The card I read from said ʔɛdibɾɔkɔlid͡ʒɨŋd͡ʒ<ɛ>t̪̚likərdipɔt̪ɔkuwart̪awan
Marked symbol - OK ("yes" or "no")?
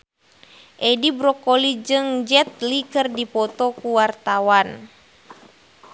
yes